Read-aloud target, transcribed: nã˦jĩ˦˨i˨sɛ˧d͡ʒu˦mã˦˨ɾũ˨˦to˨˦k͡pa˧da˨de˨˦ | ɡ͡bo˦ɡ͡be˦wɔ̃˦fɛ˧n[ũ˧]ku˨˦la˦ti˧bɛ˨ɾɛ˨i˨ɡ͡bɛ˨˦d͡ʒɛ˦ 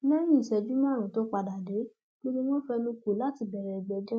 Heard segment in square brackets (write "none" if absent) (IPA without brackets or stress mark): ũ˧